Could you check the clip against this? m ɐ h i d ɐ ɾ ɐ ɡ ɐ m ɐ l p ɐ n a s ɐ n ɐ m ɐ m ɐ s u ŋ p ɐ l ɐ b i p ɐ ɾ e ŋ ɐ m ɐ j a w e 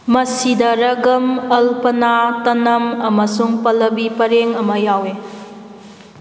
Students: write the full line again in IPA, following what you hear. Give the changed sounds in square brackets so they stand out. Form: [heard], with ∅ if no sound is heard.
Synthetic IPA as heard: m ɐ [s] i d ɐ ɾ ɐ ɡ ɐ m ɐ l p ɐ n a [t] ɐ n ɐ m ɐ m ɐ s u ŋ p ɐ l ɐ b i p ɐ ɾ e ŋ ɐ m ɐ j a w e